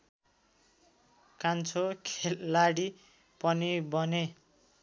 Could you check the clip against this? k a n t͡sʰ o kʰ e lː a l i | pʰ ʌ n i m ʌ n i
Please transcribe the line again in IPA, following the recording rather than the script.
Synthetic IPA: k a n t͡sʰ o kʰ e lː a ɽ i | p ʌ n i b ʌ n e